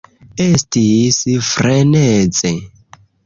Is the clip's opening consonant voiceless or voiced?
voiceless